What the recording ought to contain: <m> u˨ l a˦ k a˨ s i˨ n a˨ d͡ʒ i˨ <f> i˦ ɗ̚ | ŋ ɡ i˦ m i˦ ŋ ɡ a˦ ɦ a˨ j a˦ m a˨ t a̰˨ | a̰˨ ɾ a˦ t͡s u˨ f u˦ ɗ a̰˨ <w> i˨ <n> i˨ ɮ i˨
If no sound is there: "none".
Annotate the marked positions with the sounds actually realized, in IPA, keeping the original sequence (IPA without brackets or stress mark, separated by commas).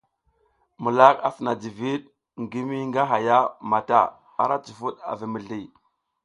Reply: m, v, v, m